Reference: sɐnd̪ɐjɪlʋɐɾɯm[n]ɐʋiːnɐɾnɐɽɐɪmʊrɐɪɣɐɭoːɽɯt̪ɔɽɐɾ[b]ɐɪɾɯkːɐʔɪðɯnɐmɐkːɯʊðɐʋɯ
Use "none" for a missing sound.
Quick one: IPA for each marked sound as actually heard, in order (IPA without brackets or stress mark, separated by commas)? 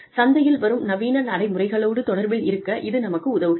n, b